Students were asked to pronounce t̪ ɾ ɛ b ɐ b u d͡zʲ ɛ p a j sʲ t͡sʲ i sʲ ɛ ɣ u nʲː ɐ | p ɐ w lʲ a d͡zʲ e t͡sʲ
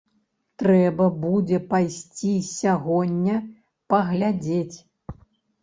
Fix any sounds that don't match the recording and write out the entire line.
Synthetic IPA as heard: t̪ ɾ ɛ b ɐ b u d͡zʲ ɛ p a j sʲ t͡sʲ i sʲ a ɣ ɔ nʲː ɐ | p ɐ ɣ lʲ a d͡zʲ e t͡sʲ